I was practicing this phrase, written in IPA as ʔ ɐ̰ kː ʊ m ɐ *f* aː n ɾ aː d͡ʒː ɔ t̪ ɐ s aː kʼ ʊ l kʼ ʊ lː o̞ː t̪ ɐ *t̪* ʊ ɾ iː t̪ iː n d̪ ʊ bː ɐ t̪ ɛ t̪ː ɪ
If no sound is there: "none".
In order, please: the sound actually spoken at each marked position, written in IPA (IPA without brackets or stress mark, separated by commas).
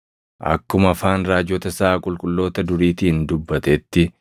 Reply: f, d̪